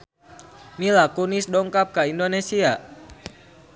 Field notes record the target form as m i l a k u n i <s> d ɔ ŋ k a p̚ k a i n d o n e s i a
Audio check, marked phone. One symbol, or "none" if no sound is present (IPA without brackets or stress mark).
s